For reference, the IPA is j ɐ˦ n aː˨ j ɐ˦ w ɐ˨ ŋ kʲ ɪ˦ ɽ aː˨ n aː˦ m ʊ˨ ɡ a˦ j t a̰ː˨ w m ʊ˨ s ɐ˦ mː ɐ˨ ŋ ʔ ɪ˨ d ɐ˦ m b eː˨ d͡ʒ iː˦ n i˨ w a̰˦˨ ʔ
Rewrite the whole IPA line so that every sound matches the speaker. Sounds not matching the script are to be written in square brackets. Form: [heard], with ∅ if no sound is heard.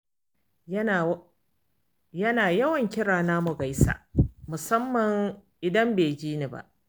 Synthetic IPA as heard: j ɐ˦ n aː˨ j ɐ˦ w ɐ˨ ŋ kʲ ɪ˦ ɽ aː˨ n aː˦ m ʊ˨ ɡ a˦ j [s] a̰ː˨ [∅] m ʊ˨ s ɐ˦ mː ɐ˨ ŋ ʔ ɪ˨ d ɐ˦ m b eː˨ d͡ʒ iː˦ n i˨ [b] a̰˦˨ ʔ